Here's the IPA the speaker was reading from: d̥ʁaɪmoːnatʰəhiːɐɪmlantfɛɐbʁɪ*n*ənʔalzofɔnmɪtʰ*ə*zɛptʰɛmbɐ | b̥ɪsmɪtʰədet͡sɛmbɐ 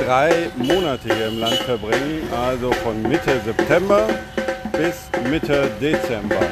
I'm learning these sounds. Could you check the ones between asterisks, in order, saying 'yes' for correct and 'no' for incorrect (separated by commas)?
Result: no, yes